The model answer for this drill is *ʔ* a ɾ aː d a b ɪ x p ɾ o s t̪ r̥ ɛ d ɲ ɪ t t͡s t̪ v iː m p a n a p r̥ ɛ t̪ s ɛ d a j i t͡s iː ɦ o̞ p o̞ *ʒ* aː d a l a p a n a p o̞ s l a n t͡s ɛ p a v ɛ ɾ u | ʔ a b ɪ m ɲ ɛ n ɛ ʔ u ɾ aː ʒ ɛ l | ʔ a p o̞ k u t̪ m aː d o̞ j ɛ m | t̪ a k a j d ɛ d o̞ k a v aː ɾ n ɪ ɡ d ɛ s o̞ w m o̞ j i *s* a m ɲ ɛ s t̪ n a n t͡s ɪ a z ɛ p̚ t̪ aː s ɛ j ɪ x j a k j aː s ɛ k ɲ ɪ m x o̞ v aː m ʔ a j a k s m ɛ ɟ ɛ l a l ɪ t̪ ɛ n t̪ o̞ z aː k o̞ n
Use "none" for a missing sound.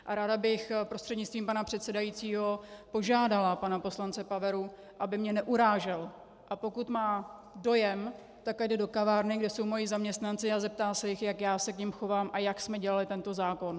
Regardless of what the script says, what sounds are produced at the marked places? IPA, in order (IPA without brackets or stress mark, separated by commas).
ʔ, ʒ, z